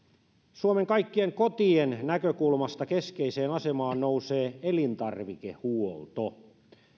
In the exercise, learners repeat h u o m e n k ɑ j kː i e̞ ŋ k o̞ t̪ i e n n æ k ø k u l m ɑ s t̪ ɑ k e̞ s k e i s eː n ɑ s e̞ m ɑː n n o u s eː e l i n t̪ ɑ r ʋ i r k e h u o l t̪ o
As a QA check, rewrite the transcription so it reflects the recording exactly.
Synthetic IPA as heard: s u o m e ŋ k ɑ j kː i e̞ ŋ k o̞ t̪ i e n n æ k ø k u l m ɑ s t̪ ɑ k e̞ s k e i s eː n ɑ s e̞ m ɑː n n o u s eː e l i n t̪ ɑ r ʋ i k e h u o l t̪ o